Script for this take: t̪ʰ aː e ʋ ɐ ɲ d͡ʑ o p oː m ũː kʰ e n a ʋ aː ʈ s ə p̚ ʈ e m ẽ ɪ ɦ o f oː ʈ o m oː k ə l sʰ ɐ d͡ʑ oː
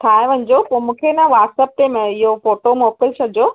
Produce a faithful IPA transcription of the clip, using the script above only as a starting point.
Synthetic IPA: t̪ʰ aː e ʋ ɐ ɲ d͡ʑ o p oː m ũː kʰ e n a ʋ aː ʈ s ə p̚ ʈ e m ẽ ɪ ɦ o f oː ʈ o m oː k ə l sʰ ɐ d͡ʑ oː

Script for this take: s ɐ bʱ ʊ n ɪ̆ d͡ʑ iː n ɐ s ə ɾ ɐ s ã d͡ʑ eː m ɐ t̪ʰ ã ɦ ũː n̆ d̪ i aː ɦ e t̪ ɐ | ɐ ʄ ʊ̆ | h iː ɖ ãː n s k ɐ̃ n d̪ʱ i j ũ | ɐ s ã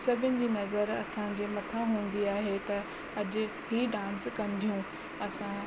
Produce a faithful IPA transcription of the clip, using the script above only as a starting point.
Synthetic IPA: s ɐ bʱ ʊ n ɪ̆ d͡ʑ iː n ɐ z ə ɾ ɐ s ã d͡ʑ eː m ɐ t̪ʰ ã ɦ ũː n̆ d̪ i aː ɦ e t̪ ɐ | ɐ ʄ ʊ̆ | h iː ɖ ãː n s k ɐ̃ n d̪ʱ i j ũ | ɐ s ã

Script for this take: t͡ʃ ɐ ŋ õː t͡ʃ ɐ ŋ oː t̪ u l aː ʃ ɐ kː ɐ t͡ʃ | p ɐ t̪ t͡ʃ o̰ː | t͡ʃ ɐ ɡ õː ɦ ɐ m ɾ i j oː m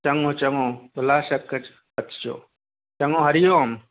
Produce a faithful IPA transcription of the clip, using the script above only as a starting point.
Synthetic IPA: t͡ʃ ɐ ŋ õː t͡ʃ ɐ ŋ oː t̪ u l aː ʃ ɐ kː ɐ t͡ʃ | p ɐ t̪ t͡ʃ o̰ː | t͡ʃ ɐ ŋ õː ɦ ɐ ɾ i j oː m

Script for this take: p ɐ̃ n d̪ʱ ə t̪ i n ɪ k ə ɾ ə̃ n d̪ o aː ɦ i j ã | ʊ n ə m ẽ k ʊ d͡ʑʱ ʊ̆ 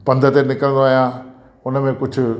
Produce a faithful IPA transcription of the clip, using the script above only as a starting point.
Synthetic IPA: p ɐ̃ n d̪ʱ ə t̪ e n ɪ k ə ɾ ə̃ n d̪ o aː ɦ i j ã | ʊ n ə m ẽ k ʊ d͡ʑʱ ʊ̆

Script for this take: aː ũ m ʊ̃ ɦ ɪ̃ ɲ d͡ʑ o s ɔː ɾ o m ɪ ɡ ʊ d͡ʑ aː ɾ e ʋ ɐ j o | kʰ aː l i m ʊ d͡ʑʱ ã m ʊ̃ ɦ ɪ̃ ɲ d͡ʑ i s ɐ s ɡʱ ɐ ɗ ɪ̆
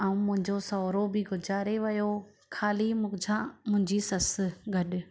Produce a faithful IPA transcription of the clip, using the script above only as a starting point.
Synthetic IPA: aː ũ m ʊ̃ ɦ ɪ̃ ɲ d͡ʑ o s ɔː ɾ o b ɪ ɡ ʊ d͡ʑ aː ɾ e ʋ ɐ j o | kʰ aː l i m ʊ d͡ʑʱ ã m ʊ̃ ɦ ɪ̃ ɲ d͡ʑ i s ɐ s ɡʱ ɐ ɗ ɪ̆

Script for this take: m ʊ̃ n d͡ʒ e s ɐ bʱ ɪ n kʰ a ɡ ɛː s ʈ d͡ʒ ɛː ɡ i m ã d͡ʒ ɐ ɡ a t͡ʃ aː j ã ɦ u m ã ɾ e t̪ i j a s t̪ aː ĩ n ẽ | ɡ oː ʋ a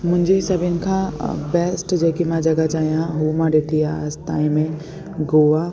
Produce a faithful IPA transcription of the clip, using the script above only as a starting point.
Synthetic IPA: m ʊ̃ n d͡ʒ e s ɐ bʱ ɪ n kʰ a b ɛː s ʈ d͡ʒ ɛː k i m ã d͡ʒ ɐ ɡ a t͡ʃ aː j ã ɦ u m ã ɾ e t̪ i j a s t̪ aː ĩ m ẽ | ɡ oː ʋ a

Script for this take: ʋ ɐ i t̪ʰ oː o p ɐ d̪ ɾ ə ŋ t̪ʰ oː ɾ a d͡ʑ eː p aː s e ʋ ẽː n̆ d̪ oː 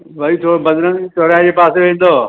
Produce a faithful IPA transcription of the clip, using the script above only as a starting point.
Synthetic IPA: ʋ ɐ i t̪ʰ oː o b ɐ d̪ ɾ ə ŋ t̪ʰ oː ɾ a d͡ʑ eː p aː s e ʋ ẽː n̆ d̪ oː

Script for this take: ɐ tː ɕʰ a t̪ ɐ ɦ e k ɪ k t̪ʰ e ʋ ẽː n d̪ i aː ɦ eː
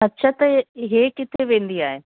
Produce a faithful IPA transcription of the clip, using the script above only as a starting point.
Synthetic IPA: ɐ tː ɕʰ a t̪ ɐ ɦ e k ɪ t̪ʰ e ʋ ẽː n d̪ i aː ɦ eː

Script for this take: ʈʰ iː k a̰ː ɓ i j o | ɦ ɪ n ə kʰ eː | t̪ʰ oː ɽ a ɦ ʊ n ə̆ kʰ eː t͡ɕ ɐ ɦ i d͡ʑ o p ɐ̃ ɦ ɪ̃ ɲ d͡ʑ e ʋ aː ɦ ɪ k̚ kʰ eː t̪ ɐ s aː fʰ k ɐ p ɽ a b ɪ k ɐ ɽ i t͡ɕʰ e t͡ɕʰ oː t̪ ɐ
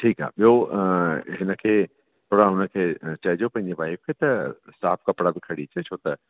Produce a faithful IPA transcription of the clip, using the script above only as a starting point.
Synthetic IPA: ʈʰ iː k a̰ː ɓ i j o | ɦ ɪ n ə kʰ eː | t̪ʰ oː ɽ a ɦ ʊ n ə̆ kʰ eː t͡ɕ ɐ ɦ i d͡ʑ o p ɐ̃ ɦ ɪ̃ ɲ d͡ʑ e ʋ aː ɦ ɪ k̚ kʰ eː t̪ ɐ s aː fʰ k ɐ p ɽ a b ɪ kʰ ɐ ɽ i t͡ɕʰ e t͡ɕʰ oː t̪ ɐ

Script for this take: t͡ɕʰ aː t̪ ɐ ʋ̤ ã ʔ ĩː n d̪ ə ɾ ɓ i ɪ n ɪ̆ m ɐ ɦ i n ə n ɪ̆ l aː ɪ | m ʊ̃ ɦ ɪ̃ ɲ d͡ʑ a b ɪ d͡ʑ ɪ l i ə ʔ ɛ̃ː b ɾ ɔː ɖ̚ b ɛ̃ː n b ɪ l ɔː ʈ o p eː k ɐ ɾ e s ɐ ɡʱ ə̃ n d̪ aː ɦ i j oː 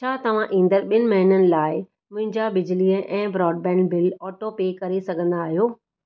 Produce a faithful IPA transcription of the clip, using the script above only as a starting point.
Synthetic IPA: t͡ɕʰ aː t̪ ɐ ʋ̤ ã ʔ ĩː n d̪ ə ɾ ɓ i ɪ n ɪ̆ m ɐ ɦ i n ə n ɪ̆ l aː ɪ | m ʊ̃ ɦ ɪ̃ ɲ d͡ʑ a b ɪ d͡ʑ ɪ l i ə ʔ ɛ̃ː b ɾ ɔː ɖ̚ b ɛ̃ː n b ɪ l ɔː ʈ o p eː k ɐ ɾ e s ɐ ɡʱ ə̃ n d̪ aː ɦ i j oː

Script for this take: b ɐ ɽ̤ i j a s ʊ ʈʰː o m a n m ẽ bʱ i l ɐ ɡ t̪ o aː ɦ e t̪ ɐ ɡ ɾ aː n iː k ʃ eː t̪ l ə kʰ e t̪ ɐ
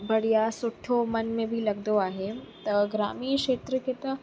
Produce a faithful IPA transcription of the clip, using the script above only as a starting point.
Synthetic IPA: b ɐ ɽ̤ i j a s ʊ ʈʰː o m ɐ n m ẽ bʱ i l ɐ ɡ d̪ o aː ɦ e t̪ ɐ ɡ ɾ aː m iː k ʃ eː t̪ ɾ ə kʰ e t̪ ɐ

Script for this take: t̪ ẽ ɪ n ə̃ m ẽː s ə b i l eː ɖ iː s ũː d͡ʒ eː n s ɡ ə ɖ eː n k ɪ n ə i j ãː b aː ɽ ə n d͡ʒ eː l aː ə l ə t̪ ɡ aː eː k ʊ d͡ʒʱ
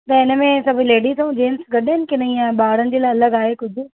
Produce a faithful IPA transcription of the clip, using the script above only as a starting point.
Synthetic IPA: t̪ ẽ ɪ n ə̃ m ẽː s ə b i l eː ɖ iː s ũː d͡ʒ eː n s ɡ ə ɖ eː n k ɪ n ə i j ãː b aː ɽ ə n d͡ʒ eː l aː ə l ə ɡ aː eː k ʊ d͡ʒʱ

